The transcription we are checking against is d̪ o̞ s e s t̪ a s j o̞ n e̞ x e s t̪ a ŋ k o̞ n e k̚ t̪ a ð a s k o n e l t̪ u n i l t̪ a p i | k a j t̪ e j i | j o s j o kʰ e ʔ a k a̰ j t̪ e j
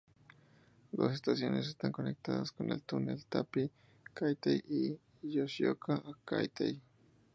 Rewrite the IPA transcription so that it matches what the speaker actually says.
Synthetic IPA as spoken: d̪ o̞ s e s t̪ a s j o̞ n e̞ s e s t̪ a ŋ k o̞ n e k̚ t̪ a ð a s k o n e l t̪ u n e l t̪ a p i | k a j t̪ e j i | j o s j o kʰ a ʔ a k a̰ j t̪ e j